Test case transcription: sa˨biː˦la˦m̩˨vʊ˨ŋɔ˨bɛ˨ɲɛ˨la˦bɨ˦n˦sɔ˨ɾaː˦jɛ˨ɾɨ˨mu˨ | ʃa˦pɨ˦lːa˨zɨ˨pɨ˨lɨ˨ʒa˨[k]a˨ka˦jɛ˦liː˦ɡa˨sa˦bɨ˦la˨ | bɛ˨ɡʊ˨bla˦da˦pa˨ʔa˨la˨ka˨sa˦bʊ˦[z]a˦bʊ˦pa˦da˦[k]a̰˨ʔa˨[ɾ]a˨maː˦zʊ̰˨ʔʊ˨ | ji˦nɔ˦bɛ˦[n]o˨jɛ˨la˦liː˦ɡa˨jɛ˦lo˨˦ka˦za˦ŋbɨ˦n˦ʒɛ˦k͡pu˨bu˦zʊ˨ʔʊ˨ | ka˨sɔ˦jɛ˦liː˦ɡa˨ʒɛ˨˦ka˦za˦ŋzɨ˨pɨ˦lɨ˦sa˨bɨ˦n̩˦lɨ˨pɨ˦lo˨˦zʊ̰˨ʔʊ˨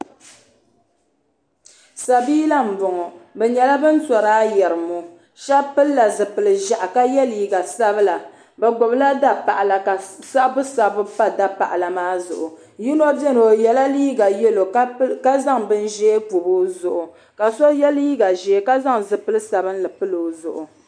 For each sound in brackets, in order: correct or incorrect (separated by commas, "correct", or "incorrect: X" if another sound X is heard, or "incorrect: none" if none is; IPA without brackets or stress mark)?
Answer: incorrect: ʔ, incorrect: s, incorrect: p, incorrect: l, correct